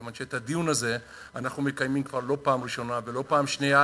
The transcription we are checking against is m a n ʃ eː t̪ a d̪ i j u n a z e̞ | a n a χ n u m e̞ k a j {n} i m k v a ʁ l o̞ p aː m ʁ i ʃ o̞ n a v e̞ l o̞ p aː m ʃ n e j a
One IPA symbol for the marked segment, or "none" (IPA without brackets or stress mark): m